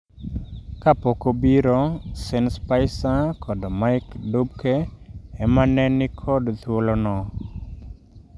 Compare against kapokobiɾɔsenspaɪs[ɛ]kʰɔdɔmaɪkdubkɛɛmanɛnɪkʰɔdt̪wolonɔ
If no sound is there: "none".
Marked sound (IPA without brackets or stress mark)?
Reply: a